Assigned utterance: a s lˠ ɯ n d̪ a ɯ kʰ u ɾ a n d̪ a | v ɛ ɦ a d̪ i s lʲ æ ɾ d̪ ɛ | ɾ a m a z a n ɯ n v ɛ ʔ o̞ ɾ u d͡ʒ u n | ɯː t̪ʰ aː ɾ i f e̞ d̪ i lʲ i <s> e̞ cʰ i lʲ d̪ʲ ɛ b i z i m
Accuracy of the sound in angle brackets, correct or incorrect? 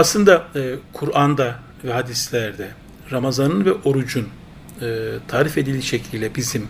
incorrect